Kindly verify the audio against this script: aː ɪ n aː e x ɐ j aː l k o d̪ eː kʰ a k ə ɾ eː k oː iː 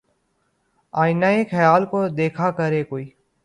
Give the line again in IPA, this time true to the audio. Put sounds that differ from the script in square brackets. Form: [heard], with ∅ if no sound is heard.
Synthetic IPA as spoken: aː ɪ n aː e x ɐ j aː l k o d̪ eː kʰ a k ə ɾ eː k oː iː